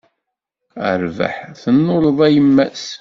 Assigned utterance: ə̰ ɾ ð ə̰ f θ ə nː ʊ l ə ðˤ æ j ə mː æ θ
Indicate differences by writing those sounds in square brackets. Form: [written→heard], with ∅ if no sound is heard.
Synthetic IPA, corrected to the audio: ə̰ ɾ [ð→v] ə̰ [f→ħ] θ ə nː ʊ l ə ðˤ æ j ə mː æ [θ→s]